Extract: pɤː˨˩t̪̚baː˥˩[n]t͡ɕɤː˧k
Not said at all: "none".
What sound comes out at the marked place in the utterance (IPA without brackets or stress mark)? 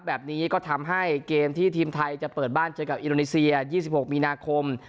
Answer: n